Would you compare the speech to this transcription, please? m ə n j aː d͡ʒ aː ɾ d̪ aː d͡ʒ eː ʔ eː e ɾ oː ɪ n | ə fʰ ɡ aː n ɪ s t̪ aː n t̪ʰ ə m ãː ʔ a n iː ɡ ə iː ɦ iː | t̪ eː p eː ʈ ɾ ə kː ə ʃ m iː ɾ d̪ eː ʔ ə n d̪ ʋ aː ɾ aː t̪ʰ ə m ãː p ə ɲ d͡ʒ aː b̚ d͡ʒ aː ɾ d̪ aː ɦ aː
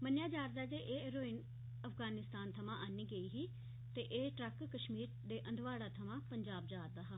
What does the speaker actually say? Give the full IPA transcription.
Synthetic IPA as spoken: m ə n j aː d͡ʒ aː ɾ d̪ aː d͡ʒ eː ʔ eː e ɾ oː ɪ n | ə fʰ ɡ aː n ɪ s t̪ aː n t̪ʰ ə m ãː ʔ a n iː ɡ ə iː ɦ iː | t̪ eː ʔ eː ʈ ɾ ə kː ə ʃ m iː ɾ d̪ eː ʔ ə n d̪ ʋ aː ɽ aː t̪ʰ ə m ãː p ə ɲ d͡ʒ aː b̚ d͡ʒ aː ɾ d̪ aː ɦ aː